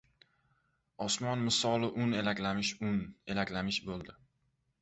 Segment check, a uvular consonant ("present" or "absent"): absent